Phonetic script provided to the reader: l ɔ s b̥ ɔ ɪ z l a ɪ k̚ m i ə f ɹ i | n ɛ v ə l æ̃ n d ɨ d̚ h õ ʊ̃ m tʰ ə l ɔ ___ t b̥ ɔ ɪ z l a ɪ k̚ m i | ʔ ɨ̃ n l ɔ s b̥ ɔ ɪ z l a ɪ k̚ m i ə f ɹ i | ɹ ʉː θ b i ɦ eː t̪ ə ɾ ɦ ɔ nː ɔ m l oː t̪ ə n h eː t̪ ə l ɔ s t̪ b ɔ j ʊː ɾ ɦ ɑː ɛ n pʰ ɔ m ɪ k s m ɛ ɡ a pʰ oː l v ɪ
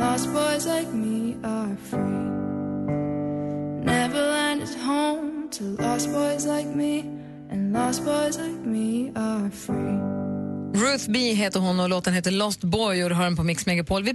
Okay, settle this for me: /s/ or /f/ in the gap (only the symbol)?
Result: s